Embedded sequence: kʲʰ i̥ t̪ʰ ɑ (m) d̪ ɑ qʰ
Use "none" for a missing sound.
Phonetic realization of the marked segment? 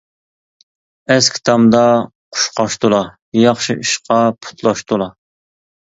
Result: m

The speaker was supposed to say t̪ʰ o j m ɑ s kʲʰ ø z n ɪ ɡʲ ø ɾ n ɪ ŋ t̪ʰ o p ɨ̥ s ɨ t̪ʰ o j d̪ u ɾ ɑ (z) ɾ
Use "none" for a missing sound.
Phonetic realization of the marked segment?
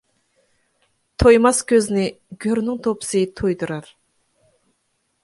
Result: none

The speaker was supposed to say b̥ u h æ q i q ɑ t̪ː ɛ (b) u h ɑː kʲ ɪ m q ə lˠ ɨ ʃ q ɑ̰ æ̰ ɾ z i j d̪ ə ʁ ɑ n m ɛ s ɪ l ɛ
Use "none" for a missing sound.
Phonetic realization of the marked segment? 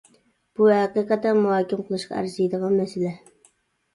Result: m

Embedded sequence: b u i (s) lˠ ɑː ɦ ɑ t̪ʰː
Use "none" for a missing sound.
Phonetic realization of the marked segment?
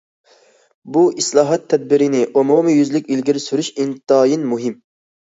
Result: s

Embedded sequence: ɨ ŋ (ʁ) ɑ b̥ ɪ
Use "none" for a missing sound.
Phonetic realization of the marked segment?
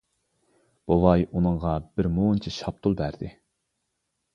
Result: ʁ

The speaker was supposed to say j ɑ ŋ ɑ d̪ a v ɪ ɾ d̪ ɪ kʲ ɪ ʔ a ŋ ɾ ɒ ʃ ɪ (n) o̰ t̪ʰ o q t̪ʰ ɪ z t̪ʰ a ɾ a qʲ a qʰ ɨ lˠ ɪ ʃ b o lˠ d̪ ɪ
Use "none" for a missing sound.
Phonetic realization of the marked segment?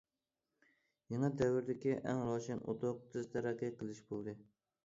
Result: n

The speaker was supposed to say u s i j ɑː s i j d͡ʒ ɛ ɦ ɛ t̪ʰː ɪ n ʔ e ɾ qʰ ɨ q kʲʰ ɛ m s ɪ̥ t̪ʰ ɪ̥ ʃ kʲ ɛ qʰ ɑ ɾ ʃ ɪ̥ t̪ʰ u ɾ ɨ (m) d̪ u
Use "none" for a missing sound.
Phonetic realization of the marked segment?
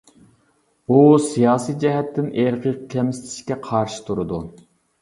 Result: none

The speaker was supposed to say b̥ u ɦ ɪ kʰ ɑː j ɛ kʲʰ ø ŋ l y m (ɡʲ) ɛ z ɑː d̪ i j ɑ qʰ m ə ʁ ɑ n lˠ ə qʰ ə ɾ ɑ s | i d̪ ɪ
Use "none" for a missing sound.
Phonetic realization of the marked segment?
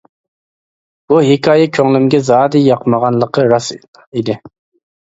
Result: ɡʲ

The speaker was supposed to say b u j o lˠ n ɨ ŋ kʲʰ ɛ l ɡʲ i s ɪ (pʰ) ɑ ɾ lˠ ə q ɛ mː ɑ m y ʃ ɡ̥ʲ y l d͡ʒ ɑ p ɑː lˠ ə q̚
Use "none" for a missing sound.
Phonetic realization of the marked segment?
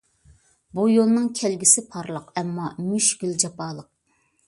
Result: pʰ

